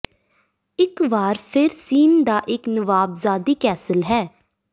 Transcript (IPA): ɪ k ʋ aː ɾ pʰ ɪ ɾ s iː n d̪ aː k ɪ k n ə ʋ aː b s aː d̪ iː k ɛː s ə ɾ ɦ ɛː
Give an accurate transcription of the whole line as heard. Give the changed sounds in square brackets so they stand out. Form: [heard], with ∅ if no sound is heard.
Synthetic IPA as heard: ɪ k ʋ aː ɾ pʰ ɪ ɾ s iː n d̪ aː [ʔ] ɪ k n ə ʋ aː b [z] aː d̪ iː k ɛː s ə [l] ɦ ɛː